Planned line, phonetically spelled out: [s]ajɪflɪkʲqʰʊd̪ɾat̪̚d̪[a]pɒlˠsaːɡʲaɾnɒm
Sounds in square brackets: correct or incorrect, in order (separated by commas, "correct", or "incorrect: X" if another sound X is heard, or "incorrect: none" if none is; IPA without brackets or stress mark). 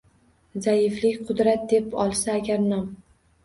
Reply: incorrect: z, incorrect: e